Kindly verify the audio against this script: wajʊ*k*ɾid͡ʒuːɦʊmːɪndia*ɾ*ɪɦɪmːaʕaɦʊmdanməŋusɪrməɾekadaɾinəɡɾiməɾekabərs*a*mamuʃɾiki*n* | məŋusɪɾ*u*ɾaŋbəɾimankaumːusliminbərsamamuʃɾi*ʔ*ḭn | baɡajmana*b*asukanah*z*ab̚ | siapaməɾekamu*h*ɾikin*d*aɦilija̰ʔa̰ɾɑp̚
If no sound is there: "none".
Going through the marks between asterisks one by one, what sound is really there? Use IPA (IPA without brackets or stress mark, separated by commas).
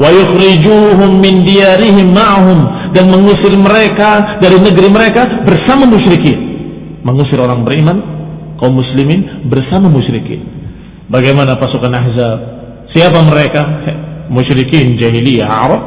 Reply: x, ɾ, a, n, o, k, p, z, ʃ, d͡ʒ